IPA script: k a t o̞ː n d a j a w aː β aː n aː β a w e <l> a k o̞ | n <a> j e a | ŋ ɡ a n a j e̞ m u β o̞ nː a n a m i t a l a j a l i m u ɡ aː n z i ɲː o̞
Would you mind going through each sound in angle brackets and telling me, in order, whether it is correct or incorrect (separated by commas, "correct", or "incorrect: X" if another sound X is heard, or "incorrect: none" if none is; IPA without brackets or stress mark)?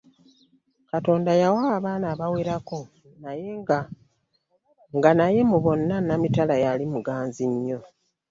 incorrect: ɾ, correct